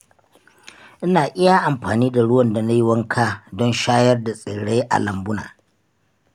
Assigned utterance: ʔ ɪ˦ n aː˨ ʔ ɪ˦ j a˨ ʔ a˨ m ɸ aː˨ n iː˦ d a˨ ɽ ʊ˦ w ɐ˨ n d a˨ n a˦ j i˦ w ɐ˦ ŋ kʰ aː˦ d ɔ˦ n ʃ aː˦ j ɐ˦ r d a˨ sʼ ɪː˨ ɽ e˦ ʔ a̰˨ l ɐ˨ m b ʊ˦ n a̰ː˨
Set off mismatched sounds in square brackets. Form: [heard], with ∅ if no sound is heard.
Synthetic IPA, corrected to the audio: ʔ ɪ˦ n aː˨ ʔ ɪ˦ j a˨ ʔ a˨ m ɸ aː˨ n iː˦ d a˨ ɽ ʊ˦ w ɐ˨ n d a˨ n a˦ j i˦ w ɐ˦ ŋ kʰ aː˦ d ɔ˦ n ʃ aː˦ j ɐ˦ r d a˨ sʼ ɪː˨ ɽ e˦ ʔ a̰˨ l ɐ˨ m b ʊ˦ n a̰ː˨

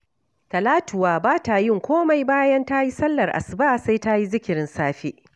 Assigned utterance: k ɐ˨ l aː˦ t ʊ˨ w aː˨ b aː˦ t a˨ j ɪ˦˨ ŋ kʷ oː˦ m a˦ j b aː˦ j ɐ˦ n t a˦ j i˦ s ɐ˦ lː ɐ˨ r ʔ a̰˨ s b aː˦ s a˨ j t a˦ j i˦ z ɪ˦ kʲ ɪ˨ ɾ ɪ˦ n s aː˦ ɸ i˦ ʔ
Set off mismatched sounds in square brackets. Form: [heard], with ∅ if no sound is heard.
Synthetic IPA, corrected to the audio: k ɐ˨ l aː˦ t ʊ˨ w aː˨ b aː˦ t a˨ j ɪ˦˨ ŋ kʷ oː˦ m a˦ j b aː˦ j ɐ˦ n t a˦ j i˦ s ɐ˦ lː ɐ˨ r ʔ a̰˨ s b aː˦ s [a˦] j t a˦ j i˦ z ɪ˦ kʲ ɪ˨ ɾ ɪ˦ n s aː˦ ɸ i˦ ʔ

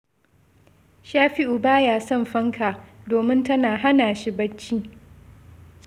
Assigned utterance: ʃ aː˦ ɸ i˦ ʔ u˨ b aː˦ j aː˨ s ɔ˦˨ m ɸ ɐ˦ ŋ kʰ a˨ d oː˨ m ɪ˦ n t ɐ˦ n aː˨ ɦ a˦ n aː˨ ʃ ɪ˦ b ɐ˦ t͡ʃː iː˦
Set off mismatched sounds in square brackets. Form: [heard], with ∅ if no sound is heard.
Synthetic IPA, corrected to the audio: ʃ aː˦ ɸ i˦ ʔ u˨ b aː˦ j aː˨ s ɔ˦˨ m ɸ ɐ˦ ŋ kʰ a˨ d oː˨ m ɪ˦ n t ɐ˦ n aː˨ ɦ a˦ n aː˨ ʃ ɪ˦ b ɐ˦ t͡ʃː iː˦

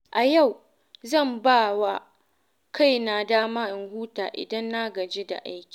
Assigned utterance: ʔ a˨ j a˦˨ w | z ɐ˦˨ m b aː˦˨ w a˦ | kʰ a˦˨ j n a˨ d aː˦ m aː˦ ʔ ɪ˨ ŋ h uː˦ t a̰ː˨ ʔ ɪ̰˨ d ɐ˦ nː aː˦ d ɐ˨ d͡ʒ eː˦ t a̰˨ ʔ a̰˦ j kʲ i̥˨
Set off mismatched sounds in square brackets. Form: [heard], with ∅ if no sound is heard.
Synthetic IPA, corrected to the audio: ʔ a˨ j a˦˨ w | z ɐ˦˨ m b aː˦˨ w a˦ | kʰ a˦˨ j n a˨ d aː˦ m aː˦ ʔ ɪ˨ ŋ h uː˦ t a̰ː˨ ʔ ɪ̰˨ d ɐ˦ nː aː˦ [ɡ] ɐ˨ d͡ʒ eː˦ [d] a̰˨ ʔ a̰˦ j kʲ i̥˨

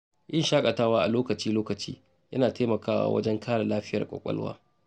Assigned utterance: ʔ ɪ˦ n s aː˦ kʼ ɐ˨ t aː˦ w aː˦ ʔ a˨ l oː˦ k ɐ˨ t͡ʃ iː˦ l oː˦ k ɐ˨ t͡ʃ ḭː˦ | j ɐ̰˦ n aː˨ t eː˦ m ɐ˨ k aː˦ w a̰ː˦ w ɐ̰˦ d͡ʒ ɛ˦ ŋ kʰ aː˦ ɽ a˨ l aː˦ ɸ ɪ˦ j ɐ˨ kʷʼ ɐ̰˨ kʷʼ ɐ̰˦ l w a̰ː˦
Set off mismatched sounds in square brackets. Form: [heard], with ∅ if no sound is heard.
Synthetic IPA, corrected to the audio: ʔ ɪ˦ n [ʃ] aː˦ kʼ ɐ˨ t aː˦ w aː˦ ʔ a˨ l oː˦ k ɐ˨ t͡ʃ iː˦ l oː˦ k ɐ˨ t͡ʃ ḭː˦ | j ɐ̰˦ n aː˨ t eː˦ m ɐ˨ k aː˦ w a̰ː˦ w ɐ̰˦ d͡ʒ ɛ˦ ŋ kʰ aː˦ ɽ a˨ l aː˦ ɸ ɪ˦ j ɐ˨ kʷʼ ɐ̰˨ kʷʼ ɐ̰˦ l w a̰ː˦

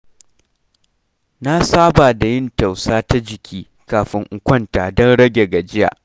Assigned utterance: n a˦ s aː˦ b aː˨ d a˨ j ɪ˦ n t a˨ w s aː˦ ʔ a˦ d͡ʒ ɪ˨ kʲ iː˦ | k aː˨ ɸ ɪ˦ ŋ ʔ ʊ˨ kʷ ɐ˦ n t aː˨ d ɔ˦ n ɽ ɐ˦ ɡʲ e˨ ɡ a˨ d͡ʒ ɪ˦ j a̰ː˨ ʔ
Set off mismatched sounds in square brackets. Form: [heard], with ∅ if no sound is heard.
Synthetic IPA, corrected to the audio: n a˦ s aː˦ b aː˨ d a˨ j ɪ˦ n t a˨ w s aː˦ [t] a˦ d͡ʒ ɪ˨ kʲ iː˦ | k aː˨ ɸ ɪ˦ ŋ ʔ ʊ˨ kʷ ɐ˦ n t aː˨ d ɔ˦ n ɽ ɐ˦ ɡʲ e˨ ɡ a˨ d͡ʒ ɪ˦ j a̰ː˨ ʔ

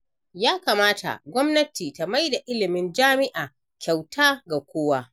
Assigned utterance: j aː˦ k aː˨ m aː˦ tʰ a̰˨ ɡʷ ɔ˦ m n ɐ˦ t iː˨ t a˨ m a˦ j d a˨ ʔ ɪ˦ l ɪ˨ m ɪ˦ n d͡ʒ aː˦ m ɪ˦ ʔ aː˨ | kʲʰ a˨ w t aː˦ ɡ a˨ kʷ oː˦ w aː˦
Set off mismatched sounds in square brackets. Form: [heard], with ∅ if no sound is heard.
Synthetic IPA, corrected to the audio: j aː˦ k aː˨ m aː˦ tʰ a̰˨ ɡʷ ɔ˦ m n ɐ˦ t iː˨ t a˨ m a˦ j d a˨ ʔ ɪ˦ l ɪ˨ m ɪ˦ n d͡ʒ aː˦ m ɪ˦ ʔ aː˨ | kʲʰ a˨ w t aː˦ ɡ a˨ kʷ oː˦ w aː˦

